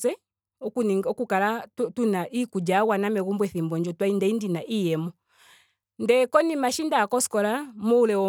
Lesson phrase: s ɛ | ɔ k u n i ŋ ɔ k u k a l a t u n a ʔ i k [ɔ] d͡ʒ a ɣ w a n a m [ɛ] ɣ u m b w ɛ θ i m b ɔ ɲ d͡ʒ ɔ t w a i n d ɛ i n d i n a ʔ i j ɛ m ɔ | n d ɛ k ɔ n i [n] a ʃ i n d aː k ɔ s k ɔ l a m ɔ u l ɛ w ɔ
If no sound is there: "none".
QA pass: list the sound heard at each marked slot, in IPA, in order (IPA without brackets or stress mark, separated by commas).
u, ɛ, m